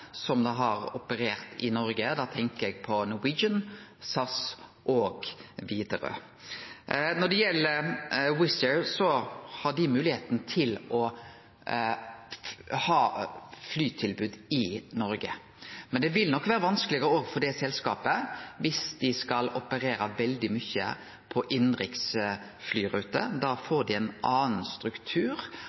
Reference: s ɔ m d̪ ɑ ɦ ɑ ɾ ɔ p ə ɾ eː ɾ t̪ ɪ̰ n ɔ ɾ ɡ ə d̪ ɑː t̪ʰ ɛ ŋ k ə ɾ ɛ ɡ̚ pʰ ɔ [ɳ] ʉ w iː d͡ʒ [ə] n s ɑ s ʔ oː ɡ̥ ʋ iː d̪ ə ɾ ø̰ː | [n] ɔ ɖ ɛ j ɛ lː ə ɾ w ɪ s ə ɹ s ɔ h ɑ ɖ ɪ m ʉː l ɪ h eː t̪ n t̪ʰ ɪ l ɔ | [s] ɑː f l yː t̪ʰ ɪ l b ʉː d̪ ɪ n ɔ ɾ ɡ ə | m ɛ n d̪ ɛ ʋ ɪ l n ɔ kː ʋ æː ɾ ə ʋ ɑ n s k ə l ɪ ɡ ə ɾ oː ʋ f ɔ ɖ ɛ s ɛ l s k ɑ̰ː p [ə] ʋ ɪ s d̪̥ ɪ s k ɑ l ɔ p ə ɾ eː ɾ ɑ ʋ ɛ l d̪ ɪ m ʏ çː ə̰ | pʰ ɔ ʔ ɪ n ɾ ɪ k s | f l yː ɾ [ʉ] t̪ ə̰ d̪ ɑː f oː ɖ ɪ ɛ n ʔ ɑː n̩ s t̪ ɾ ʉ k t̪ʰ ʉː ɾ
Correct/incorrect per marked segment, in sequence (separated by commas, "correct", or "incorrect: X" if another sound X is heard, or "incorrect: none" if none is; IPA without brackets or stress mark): incorrect: n, correct, correct, incorrect: h, correct, incorrect: ʉː